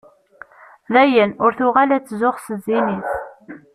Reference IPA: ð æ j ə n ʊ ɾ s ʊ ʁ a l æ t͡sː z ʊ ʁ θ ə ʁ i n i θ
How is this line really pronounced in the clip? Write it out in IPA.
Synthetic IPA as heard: ð æ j ə n ʊ ɾ θ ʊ ʁ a l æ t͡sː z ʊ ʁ s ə z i n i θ